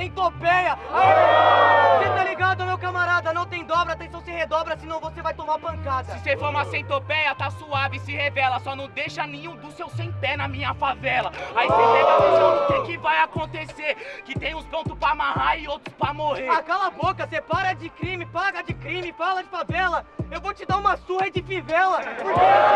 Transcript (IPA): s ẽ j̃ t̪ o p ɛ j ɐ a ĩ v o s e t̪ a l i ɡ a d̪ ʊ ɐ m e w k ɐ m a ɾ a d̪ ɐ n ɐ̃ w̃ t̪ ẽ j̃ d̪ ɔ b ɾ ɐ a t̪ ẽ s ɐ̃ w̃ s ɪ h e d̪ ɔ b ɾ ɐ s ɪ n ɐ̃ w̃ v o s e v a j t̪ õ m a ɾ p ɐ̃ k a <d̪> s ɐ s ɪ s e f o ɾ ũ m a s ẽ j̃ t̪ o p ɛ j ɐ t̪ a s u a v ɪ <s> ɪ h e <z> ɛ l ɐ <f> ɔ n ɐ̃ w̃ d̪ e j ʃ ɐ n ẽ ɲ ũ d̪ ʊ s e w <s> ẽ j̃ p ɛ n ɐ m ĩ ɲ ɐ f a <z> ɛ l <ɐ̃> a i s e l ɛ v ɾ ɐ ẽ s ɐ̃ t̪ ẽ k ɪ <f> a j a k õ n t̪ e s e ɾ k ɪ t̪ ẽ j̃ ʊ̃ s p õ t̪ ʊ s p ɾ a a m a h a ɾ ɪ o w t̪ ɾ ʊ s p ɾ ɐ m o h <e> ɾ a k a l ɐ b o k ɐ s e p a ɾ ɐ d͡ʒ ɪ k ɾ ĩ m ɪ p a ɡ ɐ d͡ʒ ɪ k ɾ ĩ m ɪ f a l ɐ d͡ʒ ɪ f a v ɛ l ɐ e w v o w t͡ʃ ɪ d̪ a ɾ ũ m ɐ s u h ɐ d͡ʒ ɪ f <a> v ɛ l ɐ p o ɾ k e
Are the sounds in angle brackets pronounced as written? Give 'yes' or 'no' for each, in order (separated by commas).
yes, yes, no, no, yes, no, no, no, yes, no